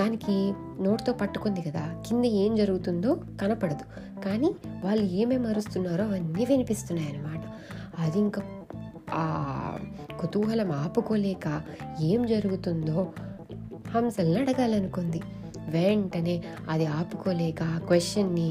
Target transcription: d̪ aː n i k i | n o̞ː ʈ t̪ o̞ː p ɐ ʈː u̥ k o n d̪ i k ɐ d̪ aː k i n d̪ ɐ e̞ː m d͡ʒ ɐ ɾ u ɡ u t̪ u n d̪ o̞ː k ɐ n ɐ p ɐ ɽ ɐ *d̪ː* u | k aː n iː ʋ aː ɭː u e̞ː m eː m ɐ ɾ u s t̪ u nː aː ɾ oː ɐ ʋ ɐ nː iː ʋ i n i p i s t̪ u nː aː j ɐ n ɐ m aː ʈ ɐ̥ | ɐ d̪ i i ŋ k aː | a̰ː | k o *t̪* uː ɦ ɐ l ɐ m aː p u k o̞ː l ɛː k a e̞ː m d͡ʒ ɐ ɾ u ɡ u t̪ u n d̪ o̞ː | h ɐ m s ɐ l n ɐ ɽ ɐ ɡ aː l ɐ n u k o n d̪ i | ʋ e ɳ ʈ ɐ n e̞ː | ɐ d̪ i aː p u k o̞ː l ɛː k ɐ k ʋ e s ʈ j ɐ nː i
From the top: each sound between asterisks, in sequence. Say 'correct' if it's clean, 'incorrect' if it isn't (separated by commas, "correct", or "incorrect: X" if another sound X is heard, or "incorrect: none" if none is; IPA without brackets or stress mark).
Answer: incorrect: d̪, correct